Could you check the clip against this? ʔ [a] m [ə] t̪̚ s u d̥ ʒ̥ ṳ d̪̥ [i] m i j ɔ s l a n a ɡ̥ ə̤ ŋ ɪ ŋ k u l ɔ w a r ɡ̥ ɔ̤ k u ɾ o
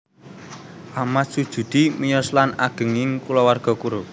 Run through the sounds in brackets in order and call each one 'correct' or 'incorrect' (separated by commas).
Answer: correct, incorrect, correct